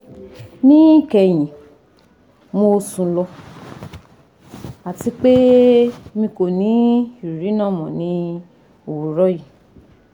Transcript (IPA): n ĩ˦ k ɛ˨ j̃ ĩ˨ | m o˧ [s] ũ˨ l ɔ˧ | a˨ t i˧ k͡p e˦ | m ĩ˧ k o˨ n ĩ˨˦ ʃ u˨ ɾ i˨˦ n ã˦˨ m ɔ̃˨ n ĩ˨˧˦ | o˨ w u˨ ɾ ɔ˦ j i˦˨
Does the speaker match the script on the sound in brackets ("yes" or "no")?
yes